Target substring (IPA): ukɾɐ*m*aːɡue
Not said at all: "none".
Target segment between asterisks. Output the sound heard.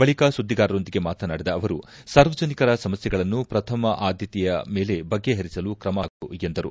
m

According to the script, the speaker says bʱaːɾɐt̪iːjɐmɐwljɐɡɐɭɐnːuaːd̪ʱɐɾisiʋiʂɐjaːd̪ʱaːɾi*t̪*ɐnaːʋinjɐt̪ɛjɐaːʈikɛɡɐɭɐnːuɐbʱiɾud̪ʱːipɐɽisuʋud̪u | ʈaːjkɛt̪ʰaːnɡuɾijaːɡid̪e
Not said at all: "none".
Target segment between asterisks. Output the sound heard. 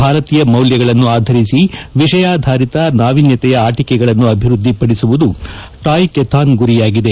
t̪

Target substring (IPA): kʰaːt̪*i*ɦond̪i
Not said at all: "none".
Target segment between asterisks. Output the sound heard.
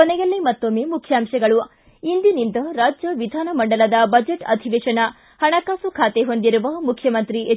e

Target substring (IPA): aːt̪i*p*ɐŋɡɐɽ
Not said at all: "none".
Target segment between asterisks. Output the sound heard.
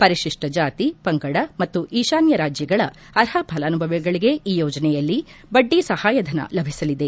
p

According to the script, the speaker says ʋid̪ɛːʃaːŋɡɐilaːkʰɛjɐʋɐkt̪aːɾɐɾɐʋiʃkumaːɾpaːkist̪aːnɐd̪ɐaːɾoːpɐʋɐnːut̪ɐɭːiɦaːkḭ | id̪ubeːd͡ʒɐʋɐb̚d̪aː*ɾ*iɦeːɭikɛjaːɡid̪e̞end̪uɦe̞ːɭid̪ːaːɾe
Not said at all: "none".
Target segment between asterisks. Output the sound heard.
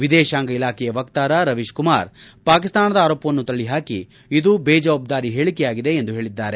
ɾ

